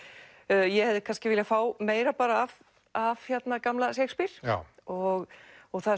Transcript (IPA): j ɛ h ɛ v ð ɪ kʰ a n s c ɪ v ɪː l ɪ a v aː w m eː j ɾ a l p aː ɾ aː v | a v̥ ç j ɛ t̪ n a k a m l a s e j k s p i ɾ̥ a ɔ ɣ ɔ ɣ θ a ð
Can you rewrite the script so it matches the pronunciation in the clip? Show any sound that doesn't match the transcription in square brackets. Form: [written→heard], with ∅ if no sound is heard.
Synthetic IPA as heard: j ɛ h ɛ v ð ɪ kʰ a n s c ɪ v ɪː l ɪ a [v→f] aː w m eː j ɾ a [l→∅] p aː ɾ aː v | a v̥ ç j ɛ t̪ n a k a m l a s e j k s p i ɾ̥ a ɔ ɣ ɔ ɣ θ a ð